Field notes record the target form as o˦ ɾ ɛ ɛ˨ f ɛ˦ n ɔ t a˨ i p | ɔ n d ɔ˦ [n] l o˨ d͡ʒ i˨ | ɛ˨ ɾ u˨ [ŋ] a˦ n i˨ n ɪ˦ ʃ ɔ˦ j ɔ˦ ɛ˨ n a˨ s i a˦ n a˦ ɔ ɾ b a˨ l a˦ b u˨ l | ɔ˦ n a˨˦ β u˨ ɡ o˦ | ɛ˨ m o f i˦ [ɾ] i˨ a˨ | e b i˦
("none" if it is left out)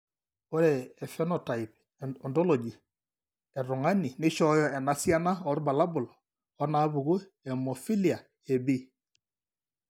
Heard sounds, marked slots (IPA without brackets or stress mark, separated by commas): none, ŋ, l